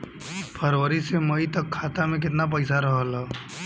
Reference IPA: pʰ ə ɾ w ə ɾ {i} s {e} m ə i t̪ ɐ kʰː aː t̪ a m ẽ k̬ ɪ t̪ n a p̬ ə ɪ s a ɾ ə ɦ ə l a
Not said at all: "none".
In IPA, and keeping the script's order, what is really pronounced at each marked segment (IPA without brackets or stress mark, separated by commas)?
i, e